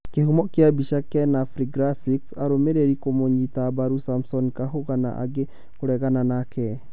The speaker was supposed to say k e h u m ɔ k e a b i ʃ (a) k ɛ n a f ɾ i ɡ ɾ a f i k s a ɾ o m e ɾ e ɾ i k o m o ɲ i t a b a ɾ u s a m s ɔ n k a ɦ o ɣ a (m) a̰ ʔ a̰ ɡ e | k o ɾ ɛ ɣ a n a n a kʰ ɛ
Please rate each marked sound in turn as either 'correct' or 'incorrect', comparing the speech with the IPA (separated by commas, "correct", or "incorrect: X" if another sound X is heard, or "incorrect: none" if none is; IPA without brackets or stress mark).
correct, incorrect: n